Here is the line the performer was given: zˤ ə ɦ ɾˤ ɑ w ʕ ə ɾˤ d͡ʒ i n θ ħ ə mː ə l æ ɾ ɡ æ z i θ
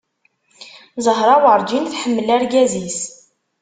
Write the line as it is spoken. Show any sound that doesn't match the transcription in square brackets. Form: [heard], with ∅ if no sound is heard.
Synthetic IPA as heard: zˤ ə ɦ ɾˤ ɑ w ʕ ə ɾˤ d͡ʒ i n θ ħ ə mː ə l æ ɾ ɡ æ z i [s]